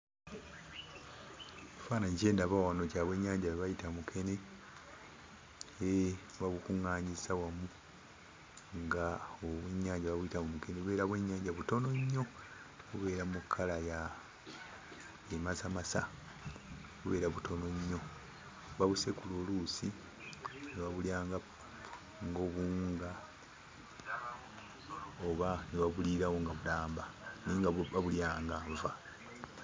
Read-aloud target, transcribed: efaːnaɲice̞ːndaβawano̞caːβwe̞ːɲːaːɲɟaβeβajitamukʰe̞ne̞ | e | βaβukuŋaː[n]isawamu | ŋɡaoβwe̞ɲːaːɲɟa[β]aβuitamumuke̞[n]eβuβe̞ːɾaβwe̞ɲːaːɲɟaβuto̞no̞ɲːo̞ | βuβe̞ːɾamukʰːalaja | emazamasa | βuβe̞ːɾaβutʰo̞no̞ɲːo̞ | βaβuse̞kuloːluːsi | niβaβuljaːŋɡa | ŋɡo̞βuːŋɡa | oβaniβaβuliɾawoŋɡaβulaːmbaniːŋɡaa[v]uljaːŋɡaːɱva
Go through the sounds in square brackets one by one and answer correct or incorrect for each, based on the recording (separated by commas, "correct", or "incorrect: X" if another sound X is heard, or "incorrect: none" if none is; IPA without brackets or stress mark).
incorrect: ɲ, correct, correct, incorrect: β